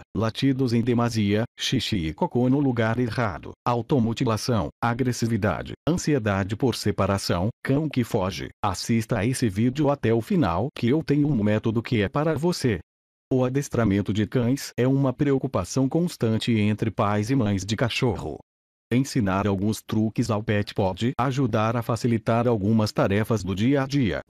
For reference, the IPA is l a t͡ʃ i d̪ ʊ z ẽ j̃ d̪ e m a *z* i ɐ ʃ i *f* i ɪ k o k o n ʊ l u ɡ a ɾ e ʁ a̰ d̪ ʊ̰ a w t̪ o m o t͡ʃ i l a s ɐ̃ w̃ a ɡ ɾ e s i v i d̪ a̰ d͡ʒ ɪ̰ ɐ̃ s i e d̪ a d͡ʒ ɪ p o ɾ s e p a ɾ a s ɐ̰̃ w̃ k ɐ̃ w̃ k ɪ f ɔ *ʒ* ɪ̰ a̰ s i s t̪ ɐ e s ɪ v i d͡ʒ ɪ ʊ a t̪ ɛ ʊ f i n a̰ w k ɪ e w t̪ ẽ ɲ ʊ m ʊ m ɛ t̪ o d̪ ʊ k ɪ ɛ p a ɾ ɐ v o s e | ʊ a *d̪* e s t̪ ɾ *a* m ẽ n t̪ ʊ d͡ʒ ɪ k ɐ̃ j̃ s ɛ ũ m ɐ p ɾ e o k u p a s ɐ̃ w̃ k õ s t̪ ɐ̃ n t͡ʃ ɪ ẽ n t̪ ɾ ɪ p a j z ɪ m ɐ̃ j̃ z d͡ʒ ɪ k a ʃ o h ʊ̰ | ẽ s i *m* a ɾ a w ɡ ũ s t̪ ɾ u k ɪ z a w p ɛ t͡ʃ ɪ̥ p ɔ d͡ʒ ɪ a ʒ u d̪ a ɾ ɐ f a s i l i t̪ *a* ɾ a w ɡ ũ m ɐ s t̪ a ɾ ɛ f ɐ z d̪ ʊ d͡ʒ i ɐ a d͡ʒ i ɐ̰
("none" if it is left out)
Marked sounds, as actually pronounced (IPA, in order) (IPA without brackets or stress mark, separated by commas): z, ʃ, ʒ, d̪, a, n, a